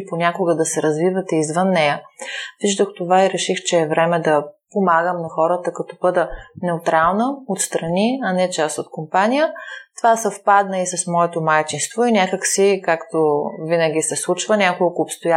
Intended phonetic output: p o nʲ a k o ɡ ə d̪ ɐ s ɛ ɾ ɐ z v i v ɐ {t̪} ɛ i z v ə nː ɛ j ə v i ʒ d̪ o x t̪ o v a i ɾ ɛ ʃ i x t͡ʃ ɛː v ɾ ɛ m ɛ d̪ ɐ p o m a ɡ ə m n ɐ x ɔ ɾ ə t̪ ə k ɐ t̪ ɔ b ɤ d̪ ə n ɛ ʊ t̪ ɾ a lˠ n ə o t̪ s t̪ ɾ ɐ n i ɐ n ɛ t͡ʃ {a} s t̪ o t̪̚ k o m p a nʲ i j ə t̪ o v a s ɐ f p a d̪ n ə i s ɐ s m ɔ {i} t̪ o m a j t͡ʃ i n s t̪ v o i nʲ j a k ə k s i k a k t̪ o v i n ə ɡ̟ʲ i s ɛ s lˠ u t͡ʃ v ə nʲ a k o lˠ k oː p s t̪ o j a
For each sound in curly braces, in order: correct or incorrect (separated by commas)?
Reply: correct, correct, incorrect